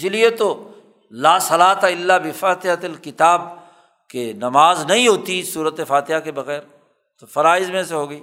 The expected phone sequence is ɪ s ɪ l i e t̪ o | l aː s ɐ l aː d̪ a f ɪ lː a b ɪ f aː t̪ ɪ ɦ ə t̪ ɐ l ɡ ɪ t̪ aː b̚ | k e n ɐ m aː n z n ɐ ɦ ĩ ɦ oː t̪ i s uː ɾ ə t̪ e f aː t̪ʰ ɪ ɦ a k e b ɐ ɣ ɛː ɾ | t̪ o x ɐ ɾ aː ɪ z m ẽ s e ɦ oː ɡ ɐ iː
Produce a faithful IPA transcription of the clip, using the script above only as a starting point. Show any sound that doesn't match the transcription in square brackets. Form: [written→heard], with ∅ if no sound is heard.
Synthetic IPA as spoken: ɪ s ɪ l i e t̪ o | l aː s ɐ l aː [d̪→t̪] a [f→∅] ɪ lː a b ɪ f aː t̪ ɪ ɦ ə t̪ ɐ l [ɡ→k] ɪ t̪ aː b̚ | k e n ɐ m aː [n→∅] z n ɐ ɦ ĩ ɦ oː t̪ i s uː ɾ ə t̪ e f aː [t̪ʰ→t̪] ɪ ɦ a k e b ɐ ɣ ɛː ɾ | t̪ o [x→f] ɐ ɾ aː ɪ z m ẽ s e ɦ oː ɡ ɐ iː